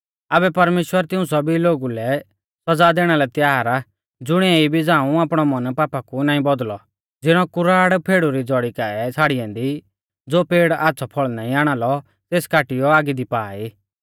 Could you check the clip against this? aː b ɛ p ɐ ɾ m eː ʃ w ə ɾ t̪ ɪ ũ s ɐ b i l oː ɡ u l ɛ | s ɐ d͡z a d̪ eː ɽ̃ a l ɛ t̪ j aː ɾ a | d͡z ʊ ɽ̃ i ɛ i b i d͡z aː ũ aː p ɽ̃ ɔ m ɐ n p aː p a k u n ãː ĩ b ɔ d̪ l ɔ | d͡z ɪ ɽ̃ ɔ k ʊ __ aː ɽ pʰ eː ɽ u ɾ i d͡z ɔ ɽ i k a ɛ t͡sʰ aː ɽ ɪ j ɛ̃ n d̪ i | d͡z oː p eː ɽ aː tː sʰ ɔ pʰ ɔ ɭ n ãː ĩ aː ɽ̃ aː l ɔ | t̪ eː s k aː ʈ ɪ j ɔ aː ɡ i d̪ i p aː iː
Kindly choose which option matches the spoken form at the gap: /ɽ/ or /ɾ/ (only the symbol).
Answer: ɾ